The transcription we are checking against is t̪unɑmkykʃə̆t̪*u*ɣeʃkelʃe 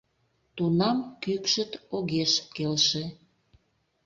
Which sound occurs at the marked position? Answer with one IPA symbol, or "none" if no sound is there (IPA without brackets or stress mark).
o